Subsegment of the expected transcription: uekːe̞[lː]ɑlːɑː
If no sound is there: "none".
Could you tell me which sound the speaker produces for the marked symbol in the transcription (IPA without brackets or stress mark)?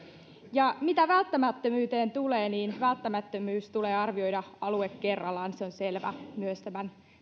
rː